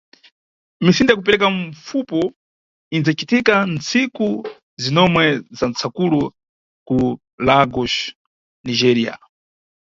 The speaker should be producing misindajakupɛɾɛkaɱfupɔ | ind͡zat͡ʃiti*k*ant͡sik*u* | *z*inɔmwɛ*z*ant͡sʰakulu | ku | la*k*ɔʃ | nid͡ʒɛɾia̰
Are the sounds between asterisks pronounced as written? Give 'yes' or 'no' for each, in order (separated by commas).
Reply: yes, yes, yes, yes, no